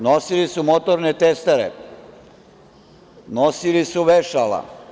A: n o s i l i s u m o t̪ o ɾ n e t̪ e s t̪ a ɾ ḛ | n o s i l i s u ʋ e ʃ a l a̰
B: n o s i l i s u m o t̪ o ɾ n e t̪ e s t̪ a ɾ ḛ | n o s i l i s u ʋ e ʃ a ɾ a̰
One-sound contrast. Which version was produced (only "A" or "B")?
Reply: A